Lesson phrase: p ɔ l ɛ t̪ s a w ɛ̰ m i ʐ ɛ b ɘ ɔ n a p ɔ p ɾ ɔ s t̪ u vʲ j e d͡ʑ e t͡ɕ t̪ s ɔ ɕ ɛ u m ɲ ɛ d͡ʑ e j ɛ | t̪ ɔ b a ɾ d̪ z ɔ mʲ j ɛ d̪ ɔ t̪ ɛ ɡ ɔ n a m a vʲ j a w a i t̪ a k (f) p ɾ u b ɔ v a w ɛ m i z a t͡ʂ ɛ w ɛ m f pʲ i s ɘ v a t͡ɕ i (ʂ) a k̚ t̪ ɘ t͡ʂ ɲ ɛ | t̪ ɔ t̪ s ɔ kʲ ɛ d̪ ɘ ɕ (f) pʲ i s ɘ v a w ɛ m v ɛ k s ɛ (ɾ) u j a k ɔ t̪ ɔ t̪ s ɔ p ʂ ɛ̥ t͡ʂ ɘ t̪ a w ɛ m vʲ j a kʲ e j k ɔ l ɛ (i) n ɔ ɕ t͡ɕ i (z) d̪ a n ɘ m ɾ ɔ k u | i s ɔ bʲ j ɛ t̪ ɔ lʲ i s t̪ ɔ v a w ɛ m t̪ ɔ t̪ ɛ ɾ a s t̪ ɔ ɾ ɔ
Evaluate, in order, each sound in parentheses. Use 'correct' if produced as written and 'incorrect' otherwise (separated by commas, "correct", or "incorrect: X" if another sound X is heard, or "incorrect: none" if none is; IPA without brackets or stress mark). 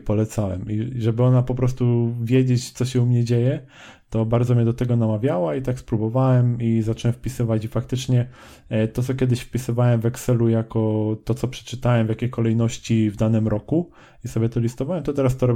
incorrect: s, incorrect: f, correct, incorrect: l, incorrect: j, incorrect: v